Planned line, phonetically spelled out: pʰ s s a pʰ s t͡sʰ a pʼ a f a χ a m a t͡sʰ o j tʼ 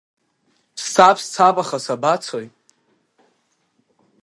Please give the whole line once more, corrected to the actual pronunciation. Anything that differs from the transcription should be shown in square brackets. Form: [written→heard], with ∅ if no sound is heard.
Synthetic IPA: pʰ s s a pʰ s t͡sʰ a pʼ a [f→χ] a [χ→s] a [m→b] a t͡sʰ o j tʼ